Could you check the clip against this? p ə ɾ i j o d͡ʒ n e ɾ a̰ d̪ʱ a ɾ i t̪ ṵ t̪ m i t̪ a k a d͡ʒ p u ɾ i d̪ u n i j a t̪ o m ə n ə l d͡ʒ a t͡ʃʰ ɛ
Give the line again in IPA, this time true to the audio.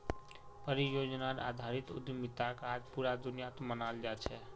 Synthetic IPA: p ə ɾ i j o d͡ʒ n a ɾ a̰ d̪ʱ a ɾ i t̪ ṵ d̪ m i t̪ a k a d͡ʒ p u ɾ a d̪ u n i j a t̪ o m ə n a l d͡ʒ a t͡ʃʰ ɛ